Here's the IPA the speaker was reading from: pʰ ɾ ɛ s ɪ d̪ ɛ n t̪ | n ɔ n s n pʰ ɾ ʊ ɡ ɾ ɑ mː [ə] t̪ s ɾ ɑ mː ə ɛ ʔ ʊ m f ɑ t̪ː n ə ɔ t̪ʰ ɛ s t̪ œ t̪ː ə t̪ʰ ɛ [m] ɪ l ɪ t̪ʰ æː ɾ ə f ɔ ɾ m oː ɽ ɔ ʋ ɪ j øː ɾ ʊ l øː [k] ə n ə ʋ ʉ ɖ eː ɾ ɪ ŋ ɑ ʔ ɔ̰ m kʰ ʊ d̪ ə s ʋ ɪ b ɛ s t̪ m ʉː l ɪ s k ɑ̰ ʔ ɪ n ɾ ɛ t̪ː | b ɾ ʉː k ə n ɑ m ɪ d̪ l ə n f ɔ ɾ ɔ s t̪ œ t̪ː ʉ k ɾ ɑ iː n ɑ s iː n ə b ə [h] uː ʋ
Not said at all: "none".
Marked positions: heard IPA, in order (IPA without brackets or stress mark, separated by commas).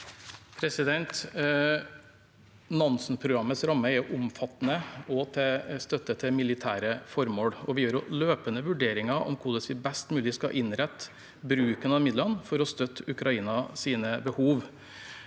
ə, m, p, h